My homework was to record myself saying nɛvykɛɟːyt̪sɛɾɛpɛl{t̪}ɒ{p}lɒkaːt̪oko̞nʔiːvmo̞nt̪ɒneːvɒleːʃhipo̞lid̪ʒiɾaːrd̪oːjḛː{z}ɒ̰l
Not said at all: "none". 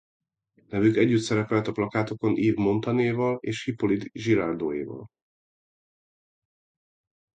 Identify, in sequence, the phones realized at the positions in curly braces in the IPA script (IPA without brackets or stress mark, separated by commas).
t̪, p, v